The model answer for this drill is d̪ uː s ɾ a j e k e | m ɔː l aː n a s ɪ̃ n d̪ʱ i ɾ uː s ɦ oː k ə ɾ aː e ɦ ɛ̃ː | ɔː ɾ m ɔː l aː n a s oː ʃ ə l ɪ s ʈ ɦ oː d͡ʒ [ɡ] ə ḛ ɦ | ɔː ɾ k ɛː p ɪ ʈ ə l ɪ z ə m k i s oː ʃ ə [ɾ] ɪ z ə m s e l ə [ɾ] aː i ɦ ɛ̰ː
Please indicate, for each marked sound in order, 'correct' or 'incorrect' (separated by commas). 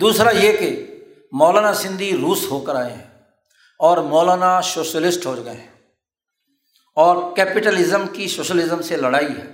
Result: correct, incorrect, incorrect